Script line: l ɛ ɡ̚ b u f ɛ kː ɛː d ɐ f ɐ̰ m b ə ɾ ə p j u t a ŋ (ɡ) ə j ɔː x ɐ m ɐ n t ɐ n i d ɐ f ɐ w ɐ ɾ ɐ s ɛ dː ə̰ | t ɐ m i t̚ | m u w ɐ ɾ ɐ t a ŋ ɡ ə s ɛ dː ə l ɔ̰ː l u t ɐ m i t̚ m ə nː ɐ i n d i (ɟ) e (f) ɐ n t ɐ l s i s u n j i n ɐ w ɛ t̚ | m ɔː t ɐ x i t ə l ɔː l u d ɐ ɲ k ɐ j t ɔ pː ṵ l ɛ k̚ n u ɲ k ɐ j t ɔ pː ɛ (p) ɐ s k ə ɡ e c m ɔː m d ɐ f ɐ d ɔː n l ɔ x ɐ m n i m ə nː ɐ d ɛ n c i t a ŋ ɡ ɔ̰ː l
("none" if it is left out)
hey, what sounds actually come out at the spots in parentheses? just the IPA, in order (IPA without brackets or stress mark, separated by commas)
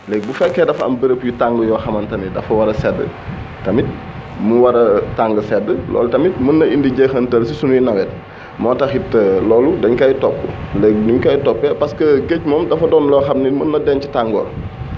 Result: ɡ, ɟ, x, p